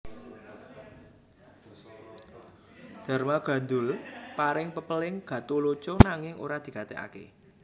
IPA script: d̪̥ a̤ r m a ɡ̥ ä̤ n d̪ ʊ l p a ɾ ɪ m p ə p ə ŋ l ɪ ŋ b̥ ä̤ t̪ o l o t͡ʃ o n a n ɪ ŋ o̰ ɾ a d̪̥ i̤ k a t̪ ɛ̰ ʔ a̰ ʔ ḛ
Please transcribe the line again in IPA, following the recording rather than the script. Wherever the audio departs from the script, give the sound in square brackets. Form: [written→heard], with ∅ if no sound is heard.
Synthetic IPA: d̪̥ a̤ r m a ɡ̥ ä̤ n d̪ ʊ l p a ɾ ɪ [m→ŋ] p ə p ə [ŋ→∅] l ɪ ŋ [b̥→ɡ̥] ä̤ t̪ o l o t͡ʃ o n a [n→ŋ] ɪ ŋ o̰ ɾ a d̪̥ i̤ k a t̪ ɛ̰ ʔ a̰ [ʔ→k] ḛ